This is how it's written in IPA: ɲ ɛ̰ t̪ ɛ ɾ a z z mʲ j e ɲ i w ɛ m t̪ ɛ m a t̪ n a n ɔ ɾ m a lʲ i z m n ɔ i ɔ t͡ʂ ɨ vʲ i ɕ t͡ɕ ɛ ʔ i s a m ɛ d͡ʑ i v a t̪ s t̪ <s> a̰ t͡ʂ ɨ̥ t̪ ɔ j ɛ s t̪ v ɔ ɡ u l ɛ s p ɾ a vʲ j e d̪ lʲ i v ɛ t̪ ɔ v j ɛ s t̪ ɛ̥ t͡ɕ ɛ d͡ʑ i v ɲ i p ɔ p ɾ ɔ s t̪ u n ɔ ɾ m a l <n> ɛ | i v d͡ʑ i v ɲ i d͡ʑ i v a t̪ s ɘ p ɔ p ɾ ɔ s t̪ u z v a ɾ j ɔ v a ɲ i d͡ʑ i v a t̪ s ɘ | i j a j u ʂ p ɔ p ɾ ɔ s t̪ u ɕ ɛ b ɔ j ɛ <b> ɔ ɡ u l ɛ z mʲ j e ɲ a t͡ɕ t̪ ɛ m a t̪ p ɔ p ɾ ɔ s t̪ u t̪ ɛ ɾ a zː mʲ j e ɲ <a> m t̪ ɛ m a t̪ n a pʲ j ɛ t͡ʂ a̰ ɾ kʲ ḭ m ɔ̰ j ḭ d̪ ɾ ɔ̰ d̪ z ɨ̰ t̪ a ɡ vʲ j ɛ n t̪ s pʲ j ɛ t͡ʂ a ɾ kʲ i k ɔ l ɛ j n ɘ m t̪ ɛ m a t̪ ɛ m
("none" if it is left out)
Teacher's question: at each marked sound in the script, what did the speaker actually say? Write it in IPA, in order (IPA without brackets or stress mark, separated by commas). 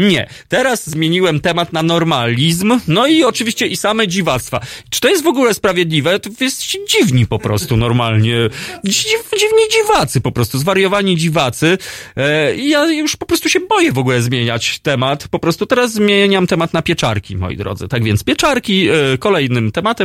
f, ɲ, v, a